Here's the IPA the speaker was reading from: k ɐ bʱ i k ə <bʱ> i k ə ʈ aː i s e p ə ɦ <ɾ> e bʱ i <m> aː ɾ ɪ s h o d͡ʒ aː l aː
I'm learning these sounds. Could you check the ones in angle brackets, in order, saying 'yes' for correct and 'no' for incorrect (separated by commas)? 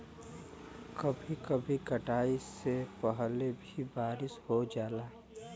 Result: yes, no, no